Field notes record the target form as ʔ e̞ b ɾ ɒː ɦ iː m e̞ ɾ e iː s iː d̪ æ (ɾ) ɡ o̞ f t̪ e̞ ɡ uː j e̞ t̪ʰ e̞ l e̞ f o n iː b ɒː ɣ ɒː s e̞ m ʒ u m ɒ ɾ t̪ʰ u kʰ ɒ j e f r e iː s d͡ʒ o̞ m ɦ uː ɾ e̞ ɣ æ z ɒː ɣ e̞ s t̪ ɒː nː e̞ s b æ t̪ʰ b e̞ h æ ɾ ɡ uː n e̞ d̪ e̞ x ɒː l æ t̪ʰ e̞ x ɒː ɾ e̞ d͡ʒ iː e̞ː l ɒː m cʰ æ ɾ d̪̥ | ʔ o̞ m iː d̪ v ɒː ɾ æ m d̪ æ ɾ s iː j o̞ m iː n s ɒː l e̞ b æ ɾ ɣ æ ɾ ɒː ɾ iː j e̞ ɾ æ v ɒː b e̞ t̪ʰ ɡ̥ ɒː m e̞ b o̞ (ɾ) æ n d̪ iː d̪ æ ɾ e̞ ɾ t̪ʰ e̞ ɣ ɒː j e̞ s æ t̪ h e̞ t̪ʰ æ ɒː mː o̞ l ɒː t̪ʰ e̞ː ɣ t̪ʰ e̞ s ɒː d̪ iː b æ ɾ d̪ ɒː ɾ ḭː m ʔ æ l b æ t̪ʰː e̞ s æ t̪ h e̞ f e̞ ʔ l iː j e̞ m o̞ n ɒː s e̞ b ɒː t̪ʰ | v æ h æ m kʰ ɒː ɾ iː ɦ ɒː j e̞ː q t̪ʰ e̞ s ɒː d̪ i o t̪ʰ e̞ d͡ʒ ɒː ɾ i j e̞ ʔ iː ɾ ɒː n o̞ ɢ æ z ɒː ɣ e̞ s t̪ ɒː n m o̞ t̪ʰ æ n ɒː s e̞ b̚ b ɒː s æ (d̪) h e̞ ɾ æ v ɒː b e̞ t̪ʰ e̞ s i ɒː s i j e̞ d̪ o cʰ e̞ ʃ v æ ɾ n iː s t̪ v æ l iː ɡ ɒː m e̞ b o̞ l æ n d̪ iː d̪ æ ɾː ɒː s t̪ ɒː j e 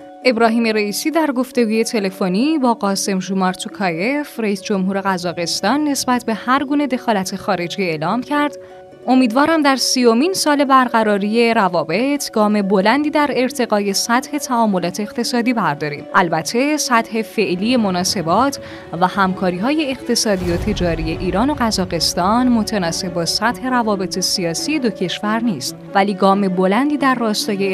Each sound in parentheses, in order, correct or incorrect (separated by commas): correct, incorrect, incorrect